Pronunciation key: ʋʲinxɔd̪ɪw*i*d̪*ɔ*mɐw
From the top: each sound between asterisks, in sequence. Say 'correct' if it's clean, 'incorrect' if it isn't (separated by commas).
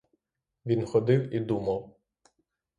correct, incorrect